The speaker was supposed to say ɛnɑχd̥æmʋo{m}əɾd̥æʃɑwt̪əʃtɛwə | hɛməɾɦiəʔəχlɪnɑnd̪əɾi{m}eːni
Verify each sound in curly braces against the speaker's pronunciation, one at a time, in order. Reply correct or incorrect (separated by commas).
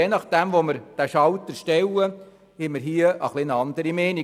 correct, correct